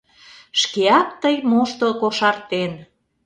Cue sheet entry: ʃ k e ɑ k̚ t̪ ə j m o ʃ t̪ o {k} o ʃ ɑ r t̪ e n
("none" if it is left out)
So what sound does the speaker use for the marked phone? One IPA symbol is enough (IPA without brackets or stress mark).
k